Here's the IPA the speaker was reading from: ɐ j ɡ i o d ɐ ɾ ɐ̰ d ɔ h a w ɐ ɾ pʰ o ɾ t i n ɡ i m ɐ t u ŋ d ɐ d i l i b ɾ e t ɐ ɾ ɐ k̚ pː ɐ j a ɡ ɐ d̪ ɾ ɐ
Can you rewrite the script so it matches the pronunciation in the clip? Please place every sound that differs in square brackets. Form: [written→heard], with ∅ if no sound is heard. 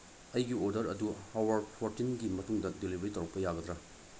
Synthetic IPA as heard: ɐ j ɡ i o d ɐ ɾ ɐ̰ d [ɔ→u] h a w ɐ ɾ pʰ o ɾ t i n ɡ i m ɐ t u ŋ d ɐ d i l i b ɾ [e→i] t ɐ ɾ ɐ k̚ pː ɐ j a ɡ ɐ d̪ ɾ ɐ